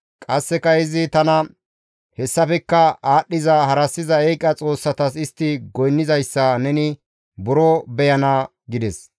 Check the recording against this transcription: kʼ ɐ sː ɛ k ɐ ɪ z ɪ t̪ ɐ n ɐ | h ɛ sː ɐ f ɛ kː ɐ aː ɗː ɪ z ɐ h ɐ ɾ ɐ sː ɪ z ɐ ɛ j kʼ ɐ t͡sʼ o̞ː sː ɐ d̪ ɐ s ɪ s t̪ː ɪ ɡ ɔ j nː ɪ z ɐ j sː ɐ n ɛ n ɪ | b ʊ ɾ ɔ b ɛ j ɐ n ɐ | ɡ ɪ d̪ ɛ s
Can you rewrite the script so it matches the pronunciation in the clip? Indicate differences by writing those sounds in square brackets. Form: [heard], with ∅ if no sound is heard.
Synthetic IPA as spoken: kʼ ɐ sː ɛ k ɐ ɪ z ɪ t̪ ɐ n ɐ | h ɛ sː ɐ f ɛ kː ɐ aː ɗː ɪ z ɐ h ɐ ɾ ɐ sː ɪ z ɐ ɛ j kʼ ɐ t͡sʼ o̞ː sː ɐ [t̪] ɐ s ɪ s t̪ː ɪ ɡ ɔ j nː ɪ z ɐ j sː ɐ n ɛ n ɪ | b ʊ ɾ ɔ b ɛ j ɐ n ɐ | ɡ ɪ d̪ ɛ s

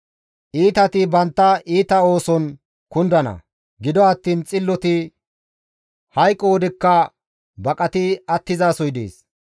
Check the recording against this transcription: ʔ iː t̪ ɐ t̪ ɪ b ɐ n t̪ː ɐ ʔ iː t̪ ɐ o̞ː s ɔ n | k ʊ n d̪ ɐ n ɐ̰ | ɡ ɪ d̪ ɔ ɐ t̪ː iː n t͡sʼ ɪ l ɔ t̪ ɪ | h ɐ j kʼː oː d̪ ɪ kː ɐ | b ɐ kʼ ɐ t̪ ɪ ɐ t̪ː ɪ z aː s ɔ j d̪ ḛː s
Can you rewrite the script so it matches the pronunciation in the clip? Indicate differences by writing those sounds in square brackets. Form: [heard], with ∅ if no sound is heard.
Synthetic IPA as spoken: ʔ iː t̪ ɐ t̪ ɪ b ɐ n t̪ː ɐ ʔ iː t̪ ɐ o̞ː s ɔ n | k ʊ n d̪ ɐ n ɐ̰ | ɡ ɪ d̪ ɔ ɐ t̪ː iː n t͡sʼ ɪ [lː] ɔ t̪ ɪ | h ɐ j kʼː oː d̪ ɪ kː ɐ | b ɐ kʼ ɐ t̪ ɪ ɐ t̪ː ɪ z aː s ɔ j d̪ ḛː s

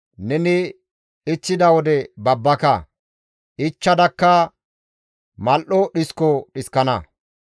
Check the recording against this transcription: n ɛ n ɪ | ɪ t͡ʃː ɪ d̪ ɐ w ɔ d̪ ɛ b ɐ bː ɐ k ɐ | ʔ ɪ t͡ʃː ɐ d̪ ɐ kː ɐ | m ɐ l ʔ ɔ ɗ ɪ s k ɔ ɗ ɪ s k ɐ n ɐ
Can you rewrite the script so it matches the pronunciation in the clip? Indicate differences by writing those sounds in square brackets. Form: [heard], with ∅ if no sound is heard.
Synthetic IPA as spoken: n ɛ n ɪ | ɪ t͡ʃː ɪ d̪ ɐ w ɔ d̪ ɛ b ɐ bː ɐ k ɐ | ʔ ɪ t͡ʃː ɐ d̪ ɐ kː ɐ | m ɐ l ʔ ɔ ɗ ɪ s k ɔ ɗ ɪ s k ɐ n ɐ

